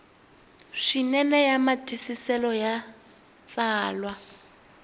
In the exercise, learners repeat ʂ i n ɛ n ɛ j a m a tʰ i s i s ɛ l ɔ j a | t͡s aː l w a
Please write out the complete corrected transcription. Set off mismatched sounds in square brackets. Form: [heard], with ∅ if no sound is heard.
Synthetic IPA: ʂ i n ɛ n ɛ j a m a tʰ i s i s ɛ l ɔ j a | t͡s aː l w a